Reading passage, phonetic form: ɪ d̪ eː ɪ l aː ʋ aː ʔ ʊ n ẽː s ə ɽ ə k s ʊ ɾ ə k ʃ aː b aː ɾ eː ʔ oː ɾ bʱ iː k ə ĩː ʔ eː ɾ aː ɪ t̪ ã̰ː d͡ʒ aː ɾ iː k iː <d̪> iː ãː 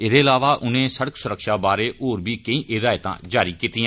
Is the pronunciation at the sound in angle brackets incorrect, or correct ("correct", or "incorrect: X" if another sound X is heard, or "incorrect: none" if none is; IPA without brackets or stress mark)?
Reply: incorrect: t̪